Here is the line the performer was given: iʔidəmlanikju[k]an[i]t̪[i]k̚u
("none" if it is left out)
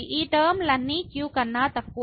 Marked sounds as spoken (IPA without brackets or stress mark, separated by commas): k, a, a